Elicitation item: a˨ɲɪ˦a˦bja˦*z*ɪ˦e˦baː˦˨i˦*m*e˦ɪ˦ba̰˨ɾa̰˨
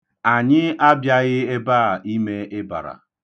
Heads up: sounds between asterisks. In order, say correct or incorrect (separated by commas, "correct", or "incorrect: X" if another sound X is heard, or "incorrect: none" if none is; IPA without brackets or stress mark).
incorrect: ɣ, correct